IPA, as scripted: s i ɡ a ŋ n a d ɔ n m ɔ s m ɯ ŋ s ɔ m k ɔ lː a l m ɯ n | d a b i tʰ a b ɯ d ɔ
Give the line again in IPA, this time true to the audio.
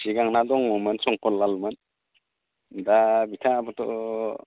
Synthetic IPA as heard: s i ɡ a ŋ n a d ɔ ŋ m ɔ m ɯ n s ɔ ŋ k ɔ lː a l m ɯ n | d a b i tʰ a b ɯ t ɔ